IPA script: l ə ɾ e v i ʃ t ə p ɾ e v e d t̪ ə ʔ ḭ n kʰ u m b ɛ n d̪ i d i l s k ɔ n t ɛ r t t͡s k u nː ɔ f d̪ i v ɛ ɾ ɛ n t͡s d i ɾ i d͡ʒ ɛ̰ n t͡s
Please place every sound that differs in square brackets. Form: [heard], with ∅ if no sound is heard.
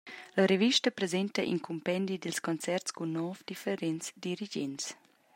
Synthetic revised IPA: l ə ɾ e v i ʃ t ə p ɾ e [z] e [n] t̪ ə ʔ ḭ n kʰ u m [p] ɛ n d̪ i d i l s k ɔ n [t͡s] ɛ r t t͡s k u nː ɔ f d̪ i [f] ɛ ɾ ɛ n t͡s d i ɾ i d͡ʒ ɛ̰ n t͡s

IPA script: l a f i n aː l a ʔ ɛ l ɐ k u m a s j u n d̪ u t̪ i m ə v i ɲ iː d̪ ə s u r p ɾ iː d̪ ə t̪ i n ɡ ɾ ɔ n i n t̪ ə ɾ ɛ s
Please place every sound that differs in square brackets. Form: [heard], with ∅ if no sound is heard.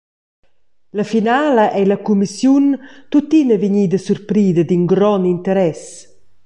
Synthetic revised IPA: l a f i n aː l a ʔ ɛ l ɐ k u m [i] s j u n [t̪] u t̪ i [n] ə v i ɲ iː d̪ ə s u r p ɾ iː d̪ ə [d̪] i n ɡ ɾ ɔ n i n t̪ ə ɾ ɛ s

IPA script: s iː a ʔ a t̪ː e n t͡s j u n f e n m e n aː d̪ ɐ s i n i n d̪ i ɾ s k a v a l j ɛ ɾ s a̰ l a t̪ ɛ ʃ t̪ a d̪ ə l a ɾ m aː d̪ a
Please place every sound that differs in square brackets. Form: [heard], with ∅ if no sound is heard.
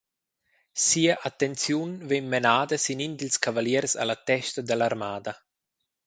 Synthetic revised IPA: s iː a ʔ a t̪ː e n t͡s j u n [v] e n m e n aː d̪ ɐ s i n i n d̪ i [l] s k a v a l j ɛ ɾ s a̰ l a t̪ ɛ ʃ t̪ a d̪ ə l a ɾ m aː d̪ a

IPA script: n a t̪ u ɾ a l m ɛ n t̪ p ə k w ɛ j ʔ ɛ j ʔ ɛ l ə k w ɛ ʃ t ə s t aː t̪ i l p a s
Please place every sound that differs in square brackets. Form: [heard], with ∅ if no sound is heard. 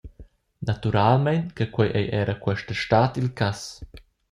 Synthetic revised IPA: n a t̪ u ɾ a l m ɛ n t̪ [k] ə k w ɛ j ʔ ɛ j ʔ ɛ [ɾ] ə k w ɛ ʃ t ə [ʃ] t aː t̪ i l [k] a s

